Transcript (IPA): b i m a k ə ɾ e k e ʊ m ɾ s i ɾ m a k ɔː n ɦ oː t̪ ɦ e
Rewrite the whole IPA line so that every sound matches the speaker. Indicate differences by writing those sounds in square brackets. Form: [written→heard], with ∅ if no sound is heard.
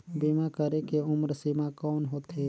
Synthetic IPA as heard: b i m a k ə ɾ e k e ʊ m ɾ s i [ɾ→∅] m a k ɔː n ɦ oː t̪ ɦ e

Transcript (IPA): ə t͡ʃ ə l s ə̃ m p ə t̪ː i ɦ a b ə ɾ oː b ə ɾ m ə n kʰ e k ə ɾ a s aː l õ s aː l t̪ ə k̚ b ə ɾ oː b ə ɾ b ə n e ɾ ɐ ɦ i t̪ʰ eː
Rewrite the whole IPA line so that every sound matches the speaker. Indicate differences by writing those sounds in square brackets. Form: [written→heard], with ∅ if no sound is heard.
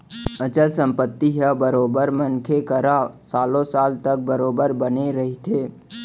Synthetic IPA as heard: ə t͡ʃ ə l s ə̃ m p ə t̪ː i ɦ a b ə ɾ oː b ə ɾ m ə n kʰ e k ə ɾ a s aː l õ s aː l t̪ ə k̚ b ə ɾ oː b ə ɾ b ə n e ɾ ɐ ɦ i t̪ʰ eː

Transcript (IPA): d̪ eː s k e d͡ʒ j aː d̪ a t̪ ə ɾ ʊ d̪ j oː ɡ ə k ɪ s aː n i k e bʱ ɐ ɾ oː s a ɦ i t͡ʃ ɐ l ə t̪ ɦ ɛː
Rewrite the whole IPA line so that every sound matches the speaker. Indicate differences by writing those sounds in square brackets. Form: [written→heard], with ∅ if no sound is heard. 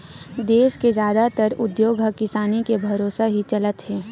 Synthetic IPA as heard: d̪ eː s k e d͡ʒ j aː d̪ a t̪ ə ɾ ʊ d̪ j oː ɡ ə k ɪ s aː n i k e bʱ ɐ ɾ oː s a ɦ i t͡ʃ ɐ l ə t̪ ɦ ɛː

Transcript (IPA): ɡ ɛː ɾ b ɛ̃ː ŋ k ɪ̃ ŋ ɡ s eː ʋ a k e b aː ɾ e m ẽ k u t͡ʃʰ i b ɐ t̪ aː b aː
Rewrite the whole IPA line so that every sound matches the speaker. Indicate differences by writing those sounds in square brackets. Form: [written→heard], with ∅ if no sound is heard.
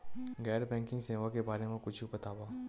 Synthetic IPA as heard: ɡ ɛː ɾ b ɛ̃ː ŋ k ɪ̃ ŋ ɡ s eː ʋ a k e b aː ɾ e m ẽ k [u→ʊ] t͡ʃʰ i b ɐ t̪ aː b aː

